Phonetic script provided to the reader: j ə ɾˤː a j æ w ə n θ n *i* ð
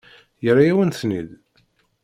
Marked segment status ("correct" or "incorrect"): correct